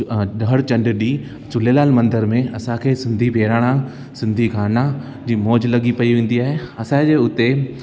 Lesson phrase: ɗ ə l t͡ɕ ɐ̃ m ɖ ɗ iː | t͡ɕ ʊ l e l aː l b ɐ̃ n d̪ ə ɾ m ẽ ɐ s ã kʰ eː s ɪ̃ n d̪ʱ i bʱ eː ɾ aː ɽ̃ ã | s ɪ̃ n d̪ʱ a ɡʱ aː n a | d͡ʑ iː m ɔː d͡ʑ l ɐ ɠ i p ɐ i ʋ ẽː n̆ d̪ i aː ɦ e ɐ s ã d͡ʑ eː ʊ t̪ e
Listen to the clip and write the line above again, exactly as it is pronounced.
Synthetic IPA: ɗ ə ɽ t͡ɕ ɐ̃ ɳ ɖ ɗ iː | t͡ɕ ʊ l e l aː l m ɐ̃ n d̪ ə ɾ m ẽ ɐ s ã kʰ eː s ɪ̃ n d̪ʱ i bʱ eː ɾ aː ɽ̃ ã | s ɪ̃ n d̪ʱ i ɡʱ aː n a | d͡ʑ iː m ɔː d͡ʑ l ɐ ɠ i p ɐ i ʋ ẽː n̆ d̪ i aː ɦ e ɐ s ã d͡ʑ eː ʊ t̪ e